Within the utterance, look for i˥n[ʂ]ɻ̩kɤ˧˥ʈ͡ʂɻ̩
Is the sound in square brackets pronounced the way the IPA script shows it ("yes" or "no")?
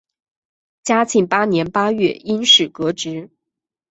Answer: yes